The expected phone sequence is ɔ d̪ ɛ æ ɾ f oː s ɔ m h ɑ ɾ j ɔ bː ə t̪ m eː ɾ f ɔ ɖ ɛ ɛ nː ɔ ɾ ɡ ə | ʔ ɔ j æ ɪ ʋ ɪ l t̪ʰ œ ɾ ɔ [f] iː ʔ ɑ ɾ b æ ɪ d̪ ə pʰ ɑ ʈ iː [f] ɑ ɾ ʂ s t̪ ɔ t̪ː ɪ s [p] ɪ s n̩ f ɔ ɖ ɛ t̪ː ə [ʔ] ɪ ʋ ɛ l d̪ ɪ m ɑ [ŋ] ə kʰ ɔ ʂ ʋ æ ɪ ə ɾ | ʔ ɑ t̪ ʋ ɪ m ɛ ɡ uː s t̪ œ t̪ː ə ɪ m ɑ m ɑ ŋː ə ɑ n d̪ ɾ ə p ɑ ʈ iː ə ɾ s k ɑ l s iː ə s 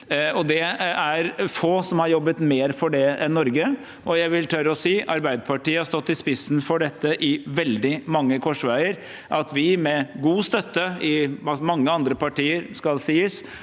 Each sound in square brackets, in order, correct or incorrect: incorrect, incorrect, correct, correct, incorrect

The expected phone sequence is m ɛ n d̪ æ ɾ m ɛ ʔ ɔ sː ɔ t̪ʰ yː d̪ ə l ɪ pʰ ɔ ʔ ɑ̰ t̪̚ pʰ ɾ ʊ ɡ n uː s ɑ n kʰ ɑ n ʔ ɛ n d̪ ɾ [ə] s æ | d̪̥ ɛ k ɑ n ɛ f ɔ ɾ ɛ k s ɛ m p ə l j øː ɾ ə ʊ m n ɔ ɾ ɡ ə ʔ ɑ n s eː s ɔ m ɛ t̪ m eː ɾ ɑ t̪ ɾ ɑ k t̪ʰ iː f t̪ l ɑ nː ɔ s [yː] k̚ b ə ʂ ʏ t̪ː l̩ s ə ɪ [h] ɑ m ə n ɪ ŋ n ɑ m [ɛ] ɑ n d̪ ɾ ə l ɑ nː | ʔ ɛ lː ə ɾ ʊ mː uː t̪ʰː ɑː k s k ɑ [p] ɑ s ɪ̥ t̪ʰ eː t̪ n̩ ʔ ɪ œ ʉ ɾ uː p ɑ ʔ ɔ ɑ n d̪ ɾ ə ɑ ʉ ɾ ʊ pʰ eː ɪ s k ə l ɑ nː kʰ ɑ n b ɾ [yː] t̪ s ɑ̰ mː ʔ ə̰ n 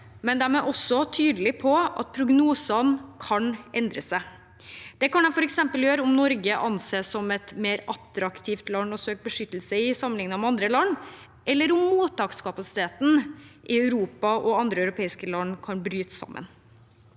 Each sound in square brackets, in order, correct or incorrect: correct, incorrect, incorrect, correct, correct, correct

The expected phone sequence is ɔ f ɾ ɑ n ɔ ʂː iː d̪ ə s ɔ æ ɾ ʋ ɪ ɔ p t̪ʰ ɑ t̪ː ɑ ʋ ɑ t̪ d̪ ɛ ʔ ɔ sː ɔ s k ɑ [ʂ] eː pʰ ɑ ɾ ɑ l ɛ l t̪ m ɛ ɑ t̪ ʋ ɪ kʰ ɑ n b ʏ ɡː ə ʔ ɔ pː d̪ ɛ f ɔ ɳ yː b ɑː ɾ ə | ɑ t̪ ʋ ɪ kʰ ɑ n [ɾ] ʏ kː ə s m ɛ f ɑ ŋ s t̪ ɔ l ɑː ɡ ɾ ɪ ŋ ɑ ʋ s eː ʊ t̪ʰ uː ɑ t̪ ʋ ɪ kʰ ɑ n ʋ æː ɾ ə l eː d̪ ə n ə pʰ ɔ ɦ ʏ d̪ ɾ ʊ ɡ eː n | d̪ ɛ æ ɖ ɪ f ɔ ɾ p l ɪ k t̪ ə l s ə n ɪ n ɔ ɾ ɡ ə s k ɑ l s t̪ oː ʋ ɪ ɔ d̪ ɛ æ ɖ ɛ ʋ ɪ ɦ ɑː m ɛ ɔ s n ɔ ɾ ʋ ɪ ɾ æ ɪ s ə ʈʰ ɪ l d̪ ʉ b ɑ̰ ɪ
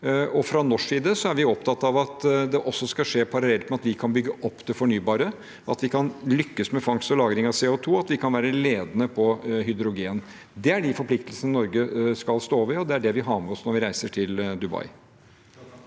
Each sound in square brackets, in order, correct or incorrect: correct, incorrect

